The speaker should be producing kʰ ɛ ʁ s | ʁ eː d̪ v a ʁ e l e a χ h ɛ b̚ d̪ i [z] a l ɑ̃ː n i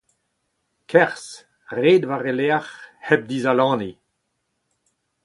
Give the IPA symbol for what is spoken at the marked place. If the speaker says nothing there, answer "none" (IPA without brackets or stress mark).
z